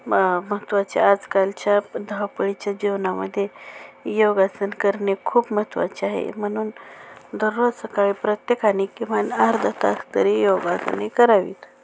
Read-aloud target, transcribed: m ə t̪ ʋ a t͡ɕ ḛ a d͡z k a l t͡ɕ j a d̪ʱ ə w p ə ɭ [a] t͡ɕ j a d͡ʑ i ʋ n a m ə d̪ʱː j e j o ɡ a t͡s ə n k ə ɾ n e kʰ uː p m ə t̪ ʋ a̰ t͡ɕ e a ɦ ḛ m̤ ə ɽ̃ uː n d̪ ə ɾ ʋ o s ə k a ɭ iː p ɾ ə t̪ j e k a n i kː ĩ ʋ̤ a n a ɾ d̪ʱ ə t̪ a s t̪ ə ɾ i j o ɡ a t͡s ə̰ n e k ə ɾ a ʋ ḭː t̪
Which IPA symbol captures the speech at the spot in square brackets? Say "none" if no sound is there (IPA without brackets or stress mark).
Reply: i